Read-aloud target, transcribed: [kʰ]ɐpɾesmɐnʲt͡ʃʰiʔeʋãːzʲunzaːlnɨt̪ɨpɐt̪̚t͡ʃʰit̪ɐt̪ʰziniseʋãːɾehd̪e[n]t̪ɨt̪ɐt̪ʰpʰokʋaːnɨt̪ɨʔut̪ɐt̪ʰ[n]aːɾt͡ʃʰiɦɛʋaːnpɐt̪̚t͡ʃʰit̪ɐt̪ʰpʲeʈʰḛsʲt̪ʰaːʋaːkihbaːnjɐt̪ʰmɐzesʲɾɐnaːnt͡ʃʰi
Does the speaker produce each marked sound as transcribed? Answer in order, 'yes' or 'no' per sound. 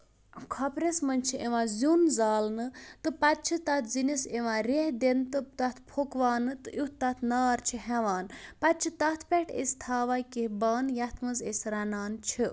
yes, yes, yes

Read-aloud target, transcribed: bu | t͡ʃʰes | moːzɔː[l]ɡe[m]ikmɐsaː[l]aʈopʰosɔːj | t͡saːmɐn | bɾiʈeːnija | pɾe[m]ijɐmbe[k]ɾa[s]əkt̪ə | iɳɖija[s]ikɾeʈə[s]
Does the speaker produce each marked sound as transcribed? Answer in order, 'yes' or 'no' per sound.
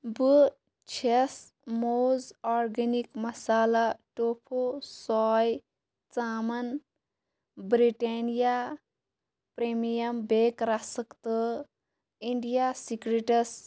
no, no, yes, yes, yes, yes, yes, yes

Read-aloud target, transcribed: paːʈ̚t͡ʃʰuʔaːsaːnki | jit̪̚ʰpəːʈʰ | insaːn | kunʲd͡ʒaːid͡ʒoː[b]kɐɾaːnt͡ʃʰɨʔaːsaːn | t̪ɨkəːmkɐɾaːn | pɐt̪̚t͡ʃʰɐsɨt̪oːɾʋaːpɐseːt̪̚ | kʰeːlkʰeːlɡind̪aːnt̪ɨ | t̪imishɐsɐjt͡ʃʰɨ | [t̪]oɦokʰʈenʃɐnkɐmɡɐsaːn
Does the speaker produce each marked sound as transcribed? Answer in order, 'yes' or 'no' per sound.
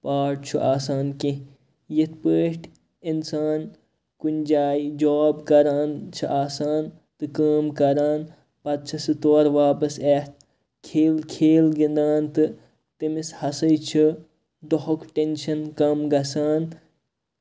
yes, no

